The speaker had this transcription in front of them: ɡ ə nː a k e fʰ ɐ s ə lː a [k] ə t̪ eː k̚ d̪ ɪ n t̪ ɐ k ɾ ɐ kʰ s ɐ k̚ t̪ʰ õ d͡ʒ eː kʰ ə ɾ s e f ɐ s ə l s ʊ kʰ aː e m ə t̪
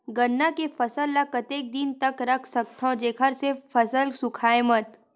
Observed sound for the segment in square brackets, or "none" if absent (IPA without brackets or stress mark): k